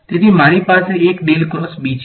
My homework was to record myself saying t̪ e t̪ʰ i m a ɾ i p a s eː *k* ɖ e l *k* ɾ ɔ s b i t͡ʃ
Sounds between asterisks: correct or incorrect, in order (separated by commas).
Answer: correct, correct